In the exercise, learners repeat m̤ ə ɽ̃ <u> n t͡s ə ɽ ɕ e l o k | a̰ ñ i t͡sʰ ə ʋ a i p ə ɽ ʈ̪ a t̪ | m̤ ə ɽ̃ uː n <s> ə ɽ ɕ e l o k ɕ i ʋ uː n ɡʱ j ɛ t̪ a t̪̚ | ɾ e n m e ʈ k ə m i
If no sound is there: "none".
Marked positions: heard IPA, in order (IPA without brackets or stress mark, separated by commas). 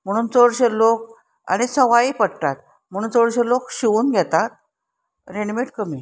uː, t͡s